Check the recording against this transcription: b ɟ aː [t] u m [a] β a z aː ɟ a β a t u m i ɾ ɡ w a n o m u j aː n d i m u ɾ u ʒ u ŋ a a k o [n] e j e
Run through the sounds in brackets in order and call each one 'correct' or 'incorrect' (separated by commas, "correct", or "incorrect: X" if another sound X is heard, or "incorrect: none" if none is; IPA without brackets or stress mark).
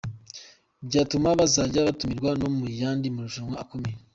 correct, correct, incorrect: m